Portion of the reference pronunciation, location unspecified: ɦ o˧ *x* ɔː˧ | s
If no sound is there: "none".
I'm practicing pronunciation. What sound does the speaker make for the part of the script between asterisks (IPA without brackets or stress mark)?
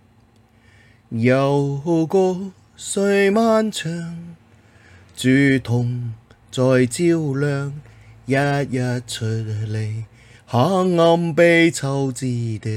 k